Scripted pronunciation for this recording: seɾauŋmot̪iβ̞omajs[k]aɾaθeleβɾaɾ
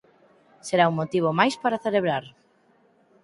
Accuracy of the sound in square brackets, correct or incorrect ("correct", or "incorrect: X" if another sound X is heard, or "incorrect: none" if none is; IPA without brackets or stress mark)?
incorrect: p